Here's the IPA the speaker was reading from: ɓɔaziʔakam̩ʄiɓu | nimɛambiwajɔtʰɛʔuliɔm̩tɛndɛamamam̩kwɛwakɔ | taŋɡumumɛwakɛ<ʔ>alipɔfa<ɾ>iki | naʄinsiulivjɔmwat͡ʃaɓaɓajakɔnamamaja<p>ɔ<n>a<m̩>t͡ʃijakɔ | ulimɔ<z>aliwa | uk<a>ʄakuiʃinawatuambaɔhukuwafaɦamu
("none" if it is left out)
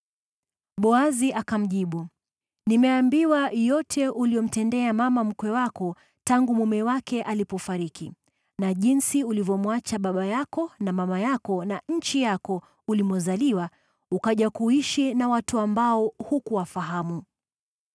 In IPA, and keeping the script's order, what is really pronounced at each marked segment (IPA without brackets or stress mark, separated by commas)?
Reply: ʔ, ɾ, k, n, ɲ̩, z, a